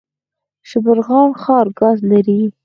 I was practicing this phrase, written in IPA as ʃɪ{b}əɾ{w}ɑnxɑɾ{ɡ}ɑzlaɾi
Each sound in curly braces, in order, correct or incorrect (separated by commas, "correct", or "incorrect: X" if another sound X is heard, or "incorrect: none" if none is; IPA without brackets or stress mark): correct, incorrect: ɣ, correct